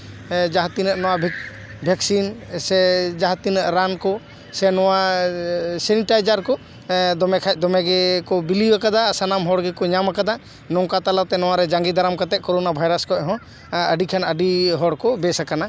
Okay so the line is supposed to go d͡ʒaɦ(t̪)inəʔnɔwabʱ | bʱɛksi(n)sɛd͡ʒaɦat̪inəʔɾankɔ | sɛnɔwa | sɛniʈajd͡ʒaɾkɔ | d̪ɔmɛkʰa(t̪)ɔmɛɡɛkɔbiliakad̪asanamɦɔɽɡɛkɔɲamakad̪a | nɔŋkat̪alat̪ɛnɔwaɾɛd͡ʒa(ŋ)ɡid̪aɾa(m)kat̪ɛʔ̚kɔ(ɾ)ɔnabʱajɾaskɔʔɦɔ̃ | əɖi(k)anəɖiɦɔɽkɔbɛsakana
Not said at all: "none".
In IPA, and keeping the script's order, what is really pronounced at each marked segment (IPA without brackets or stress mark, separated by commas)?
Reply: t̪, n, d̪, ŋ, m, ɾ, kʰ